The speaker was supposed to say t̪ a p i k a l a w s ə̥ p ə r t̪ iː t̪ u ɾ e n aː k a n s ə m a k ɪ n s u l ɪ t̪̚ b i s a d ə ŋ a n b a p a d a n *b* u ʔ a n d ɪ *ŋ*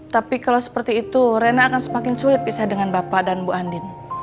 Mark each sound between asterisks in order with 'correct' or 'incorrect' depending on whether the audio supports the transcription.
correct, incorrect: n

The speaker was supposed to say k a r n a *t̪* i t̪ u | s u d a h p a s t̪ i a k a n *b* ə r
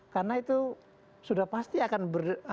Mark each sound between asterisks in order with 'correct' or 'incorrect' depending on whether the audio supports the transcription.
incorrect: none, correct

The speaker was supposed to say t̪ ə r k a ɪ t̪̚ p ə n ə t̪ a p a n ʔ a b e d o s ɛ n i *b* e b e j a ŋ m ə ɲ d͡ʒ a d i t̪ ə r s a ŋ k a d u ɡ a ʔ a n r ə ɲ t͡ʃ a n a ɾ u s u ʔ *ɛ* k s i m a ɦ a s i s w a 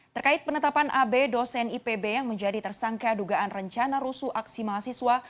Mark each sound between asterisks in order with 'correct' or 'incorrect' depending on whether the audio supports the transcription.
incorrect: p, incorrect: a

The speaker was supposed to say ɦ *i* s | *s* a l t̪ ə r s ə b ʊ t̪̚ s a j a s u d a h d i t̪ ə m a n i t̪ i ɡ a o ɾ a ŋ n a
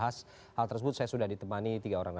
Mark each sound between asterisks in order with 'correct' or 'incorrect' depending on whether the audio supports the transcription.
incorrect: a, incorrect: h

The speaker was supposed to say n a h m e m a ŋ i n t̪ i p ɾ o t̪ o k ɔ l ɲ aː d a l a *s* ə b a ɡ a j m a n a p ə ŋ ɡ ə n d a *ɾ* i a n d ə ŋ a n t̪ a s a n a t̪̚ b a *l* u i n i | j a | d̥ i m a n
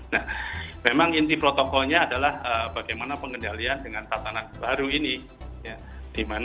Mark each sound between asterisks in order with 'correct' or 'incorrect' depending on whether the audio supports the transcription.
incorrect: h, incorrect: l, incorrect: ɾ

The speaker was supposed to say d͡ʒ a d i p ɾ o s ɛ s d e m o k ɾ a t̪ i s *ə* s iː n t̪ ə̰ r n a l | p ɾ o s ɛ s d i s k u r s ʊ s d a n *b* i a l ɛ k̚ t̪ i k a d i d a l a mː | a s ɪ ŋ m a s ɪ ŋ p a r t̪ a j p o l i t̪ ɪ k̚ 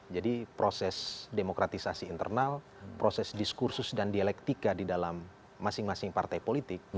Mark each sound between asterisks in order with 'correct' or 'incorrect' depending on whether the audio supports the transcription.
incorrect: a, incorrect: d

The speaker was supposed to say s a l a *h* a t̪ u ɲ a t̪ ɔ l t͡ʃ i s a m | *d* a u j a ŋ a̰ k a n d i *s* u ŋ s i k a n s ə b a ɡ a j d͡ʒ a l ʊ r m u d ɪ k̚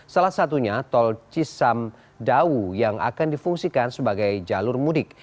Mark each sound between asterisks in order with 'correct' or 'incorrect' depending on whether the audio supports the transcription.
incorrect: s, correct, incorrect: f

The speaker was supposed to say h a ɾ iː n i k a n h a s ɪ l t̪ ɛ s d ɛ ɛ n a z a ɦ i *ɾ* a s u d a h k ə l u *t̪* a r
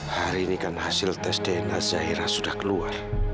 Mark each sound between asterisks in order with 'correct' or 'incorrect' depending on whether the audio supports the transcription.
correct, incorrect: none

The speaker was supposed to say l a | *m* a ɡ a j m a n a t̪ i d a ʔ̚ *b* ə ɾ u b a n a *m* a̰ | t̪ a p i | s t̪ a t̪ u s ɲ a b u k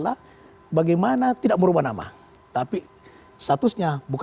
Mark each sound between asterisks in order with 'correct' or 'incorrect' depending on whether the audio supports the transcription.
incorrect: b, incorrect: m, correct

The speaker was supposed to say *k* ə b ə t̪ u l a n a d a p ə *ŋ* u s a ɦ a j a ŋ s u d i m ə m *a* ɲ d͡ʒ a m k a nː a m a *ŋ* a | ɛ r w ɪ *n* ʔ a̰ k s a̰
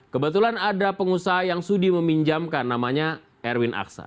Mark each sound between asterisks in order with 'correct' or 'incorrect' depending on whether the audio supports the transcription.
correct, correct, incorrect: i, incorrect: ɲ, correct

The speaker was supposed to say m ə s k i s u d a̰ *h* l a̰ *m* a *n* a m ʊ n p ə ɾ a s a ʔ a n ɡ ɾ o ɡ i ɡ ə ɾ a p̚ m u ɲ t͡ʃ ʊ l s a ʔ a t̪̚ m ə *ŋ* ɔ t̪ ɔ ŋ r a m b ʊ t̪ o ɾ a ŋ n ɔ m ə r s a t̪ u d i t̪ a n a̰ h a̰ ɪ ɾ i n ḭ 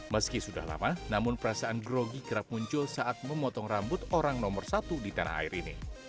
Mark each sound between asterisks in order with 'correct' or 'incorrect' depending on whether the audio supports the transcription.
correct, correct, correct, incorrect: m

